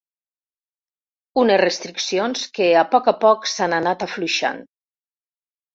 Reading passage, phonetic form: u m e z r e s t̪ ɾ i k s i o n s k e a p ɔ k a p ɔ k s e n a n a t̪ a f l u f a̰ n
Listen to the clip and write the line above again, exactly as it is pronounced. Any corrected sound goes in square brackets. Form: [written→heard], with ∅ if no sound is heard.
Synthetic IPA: u [m→n] e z r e s t̪ ɾ i k s i o n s k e a p ɔ k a p ɔ k s [e→a] n a n a t̪ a f l u [f→ʃ] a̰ n